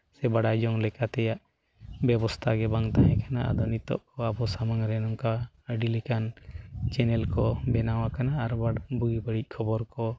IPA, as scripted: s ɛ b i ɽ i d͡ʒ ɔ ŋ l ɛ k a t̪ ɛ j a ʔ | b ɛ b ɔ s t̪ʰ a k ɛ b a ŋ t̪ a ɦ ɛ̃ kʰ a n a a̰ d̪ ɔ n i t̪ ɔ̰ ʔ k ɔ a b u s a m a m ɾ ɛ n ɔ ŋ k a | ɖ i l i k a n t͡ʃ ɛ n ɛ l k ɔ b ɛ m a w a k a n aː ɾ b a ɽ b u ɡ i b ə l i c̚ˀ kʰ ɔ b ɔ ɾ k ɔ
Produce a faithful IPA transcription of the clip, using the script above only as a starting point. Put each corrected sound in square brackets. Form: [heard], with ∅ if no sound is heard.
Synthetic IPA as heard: s ɛ b [a] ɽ [a] d͡ʒ ɔ ŋ l ɛ k a t̪ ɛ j a ʔ | b ɛ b ɔ s t̪ʰ a [ɡ] ɛ b a ŋ t̪ a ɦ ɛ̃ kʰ a n a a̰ d̪ ɔ n i t̪ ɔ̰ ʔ k ɔ a b [ɔ] s a m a [ŋ] ɾ ɛ n ɔ ŋ k a | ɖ i l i k a n t͡ʃ ɛ n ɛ l k ɔ b ɛ [n] a w a k a n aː ɾ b a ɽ b u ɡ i b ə [ɽ] i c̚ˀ kʰ ɔ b ɔ ɾ k ɔ